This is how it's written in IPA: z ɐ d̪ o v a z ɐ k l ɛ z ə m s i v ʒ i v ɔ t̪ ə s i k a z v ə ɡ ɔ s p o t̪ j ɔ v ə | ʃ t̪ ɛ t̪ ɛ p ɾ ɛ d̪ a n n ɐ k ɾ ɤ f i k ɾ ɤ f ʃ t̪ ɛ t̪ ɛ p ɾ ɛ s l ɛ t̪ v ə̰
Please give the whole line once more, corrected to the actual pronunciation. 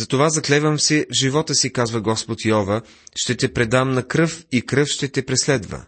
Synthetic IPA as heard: z ɐ t̪ o v a z ɐ k l ɛ v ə m s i v ʒ i v ɔ t̪ ə s i k a z v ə ɡ ɔ s p o t̪ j ɔ v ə | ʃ t̪ ɛ t̪ ɛ p ɾ ɛ d̪ a m n ɐ k ɾ ɤ f i k ɾ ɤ f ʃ t̪ ɛ t̪ ɛ p ɾ ɛ s l ɛ d̪ v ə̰